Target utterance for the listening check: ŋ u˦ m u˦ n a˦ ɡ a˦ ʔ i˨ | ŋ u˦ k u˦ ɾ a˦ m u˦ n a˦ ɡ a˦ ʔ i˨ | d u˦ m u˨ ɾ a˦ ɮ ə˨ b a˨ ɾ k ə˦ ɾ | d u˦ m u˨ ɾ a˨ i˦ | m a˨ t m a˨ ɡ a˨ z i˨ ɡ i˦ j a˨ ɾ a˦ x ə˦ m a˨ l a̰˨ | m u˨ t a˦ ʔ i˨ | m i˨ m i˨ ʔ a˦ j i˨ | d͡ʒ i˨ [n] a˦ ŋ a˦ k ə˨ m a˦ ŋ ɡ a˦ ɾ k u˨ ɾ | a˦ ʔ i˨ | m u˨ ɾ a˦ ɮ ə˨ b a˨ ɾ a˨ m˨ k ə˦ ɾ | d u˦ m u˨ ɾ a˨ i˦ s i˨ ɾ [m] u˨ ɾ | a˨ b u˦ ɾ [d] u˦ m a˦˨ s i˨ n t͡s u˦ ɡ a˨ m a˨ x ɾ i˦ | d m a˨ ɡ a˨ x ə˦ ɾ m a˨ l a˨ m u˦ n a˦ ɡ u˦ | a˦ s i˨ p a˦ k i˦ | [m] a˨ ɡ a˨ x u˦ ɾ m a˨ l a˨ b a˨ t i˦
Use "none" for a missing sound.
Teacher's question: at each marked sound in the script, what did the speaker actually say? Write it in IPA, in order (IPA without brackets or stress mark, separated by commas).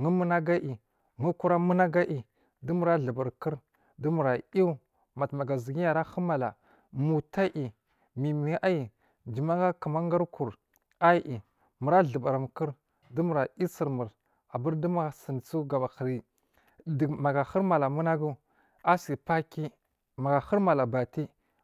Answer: m, m, d, m